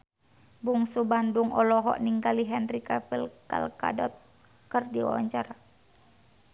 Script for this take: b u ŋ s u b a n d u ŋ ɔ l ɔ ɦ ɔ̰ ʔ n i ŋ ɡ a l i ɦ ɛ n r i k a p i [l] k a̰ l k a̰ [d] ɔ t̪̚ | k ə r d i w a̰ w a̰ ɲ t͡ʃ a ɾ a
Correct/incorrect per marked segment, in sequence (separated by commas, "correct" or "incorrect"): correct, correct